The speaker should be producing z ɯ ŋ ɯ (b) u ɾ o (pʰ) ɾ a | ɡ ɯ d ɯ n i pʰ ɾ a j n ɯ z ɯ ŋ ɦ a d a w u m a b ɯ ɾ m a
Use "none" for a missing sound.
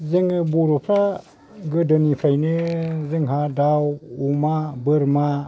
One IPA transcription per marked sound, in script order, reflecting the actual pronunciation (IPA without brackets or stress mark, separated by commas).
b, pʰ